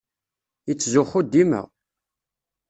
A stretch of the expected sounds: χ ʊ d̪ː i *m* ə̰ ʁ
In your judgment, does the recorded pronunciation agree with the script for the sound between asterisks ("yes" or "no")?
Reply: yes